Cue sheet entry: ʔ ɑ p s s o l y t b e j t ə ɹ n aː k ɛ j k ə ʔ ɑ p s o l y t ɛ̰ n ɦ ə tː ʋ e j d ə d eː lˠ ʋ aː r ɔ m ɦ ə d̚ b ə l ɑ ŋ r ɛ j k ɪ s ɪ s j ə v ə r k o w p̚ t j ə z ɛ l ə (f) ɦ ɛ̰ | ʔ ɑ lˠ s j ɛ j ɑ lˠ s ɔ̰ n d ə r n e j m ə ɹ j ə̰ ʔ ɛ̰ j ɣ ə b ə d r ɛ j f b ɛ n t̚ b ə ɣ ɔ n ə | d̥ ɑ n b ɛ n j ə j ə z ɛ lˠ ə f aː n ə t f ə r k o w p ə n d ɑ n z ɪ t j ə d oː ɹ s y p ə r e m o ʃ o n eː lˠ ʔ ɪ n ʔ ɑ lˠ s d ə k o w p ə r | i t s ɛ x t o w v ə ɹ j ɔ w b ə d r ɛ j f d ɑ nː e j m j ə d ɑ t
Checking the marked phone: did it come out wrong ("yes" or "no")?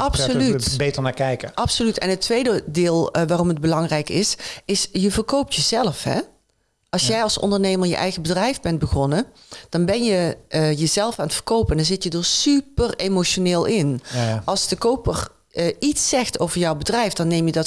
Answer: no